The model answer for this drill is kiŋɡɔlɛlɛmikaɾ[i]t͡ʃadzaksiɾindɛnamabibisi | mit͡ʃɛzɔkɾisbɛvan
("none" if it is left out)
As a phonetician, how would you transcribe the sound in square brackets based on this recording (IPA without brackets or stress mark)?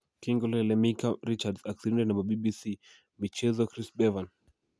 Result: i